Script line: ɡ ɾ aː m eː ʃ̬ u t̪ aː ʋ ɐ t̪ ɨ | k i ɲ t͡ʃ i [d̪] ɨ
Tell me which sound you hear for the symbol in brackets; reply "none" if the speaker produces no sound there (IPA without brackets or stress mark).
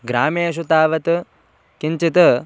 t̪